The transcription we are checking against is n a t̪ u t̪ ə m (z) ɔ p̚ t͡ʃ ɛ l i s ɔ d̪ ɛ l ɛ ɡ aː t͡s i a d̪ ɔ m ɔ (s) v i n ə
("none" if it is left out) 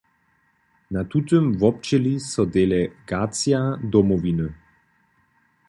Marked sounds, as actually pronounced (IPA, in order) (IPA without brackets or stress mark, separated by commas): v, none